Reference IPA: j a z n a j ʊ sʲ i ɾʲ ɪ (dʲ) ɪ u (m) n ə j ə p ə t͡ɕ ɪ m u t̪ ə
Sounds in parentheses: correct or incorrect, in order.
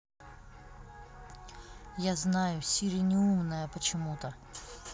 incorrect: nʲ, correct

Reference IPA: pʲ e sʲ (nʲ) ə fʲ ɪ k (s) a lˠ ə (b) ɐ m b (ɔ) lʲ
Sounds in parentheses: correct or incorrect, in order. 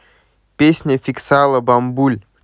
correct, correct, correct, incorrect: u

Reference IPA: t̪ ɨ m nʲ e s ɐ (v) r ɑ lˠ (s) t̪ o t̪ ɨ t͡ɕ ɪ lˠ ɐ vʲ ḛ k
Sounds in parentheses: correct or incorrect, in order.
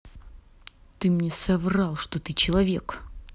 correct, incorrect: ʂ

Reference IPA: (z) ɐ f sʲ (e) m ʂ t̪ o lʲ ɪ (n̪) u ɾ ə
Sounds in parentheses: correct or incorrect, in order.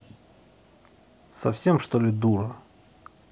incorrect: s, correct, incorrect: d̪

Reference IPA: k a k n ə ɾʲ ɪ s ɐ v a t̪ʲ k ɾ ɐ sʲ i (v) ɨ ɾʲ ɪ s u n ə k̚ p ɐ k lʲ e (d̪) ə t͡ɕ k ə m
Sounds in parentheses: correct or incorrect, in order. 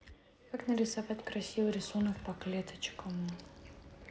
correct, incorrect: t̪

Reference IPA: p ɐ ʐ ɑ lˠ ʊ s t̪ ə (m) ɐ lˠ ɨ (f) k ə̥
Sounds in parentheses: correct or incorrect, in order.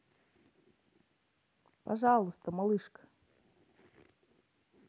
correct, incorrect: ʂ

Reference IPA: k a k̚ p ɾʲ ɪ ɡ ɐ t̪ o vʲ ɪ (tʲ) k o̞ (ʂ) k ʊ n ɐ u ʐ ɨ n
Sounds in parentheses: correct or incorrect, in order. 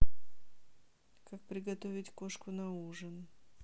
correct, correct

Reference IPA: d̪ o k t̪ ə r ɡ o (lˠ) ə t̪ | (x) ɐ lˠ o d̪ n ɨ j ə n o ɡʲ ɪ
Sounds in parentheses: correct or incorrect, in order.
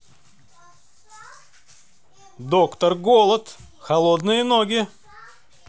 correct, correct

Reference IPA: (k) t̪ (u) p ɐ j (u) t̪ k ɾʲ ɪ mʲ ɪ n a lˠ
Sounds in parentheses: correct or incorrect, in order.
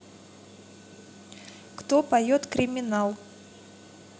correct, incorrect: o, incorrect: o

